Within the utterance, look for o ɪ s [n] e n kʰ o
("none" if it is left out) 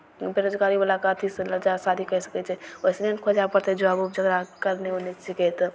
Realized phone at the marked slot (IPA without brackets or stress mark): n